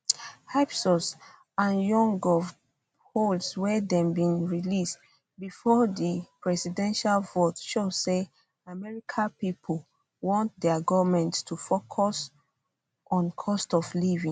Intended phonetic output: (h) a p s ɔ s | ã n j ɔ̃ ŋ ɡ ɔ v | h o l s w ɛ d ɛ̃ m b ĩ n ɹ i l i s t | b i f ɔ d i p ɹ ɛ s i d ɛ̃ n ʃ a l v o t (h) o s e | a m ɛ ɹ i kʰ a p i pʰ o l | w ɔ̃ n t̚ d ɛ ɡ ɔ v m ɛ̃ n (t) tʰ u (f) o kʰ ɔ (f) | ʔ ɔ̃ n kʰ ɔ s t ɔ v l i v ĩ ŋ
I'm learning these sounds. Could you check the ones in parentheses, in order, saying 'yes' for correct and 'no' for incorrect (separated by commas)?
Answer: yes, no, yes, yes, no